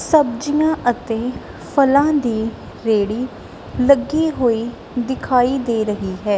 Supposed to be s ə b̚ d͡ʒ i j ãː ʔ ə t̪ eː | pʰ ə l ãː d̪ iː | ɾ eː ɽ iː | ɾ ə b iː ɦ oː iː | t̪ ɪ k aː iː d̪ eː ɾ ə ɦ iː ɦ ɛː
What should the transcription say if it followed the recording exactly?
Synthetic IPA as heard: s ə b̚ d͡ʒ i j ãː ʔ ə t̪ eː | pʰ ə l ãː d̪ iː | ɾ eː ɽ iː | l ə ɡ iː ɦ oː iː | d̪ ɪ kʰ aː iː d̪ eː ɾ ə ɦ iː ɦ ɛː